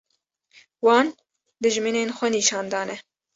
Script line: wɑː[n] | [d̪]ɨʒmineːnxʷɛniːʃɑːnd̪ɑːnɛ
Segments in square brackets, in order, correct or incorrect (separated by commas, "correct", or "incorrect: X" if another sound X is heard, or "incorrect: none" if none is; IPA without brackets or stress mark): correct, correct